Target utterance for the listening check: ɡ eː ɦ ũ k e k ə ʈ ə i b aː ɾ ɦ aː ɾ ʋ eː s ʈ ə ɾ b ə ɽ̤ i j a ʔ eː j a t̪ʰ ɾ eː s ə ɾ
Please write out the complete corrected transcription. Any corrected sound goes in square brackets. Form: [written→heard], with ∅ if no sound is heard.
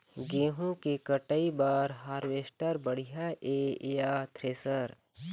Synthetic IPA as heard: ɡ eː ɦ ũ k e k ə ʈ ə i b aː ɾ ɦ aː ɾ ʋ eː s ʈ ə ɾ b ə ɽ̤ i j a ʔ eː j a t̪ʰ ɾ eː s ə ɾ